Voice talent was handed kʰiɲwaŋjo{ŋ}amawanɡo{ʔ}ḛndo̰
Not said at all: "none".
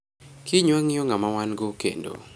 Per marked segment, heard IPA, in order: ŋ, k

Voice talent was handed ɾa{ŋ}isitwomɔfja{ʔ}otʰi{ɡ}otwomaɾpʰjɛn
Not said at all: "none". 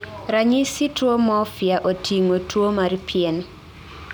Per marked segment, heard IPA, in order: ɲ, ʔ, ŋ

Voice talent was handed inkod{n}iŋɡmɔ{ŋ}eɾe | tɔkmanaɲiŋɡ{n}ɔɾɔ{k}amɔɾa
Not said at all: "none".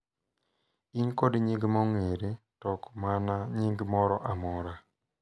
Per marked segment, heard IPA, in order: ɲ, ŋ, m, ʔ

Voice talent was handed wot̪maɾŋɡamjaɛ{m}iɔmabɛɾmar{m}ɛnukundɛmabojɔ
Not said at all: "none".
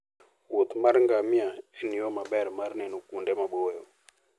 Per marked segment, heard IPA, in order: n, n

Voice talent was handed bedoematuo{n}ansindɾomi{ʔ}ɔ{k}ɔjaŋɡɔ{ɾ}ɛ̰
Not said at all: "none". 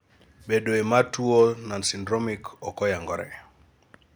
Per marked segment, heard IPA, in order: n, k, k, ɾ

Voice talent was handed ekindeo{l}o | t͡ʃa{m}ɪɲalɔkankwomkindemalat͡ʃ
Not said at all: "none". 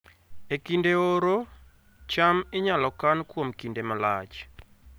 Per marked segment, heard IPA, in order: ɾ, m

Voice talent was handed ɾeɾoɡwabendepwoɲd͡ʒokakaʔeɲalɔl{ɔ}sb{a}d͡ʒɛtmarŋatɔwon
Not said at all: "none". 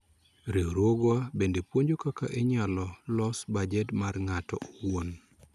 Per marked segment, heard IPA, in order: ɔ, a

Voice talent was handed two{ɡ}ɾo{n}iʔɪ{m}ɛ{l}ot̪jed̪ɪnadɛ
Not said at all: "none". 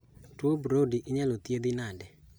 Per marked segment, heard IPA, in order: b, d, ɲ, l

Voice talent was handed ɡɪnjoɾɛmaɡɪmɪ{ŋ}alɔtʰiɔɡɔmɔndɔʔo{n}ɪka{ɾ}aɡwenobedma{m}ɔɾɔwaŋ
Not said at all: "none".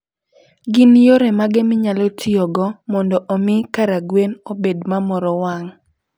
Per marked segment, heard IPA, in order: ɲ, m, ɾ, m

